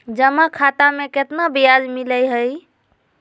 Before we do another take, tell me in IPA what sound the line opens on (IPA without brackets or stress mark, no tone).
d͡ʒ